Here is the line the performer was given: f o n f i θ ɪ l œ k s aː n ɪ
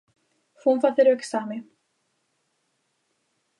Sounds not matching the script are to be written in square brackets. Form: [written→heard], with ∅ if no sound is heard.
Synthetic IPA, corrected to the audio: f [o→u] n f [i→a] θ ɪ [l→ɾ] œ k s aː [n→m] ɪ